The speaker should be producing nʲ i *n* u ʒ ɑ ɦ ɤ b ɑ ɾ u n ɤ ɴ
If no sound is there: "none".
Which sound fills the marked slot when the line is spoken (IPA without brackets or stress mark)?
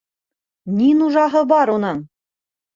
n